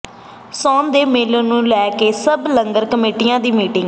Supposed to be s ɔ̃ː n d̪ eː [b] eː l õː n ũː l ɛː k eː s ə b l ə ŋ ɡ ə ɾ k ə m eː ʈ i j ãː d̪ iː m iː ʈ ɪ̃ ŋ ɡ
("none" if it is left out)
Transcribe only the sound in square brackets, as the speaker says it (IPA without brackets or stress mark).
m